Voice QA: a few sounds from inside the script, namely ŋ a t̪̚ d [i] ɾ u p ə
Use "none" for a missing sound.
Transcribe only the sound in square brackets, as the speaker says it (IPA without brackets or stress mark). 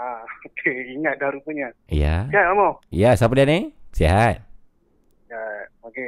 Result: a